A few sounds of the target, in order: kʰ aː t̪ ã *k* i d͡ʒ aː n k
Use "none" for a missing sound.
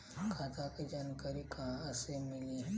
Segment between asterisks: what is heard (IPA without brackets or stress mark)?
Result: k